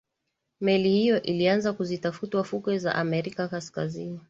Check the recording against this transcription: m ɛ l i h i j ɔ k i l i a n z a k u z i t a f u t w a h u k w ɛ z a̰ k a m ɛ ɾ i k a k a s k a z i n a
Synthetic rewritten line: m ɛ l i h i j ɔ ʔ i l i a n z a k u z i t a f u t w a f u k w ɛ z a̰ ʔ a m ɛ ɾ i k a k a s k a z i n i